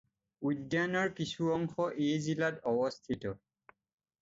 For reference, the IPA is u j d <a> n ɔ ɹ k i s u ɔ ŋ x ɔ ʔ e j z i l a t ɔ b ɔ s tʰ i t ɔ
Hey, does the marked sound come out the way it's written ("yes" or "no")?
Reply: yes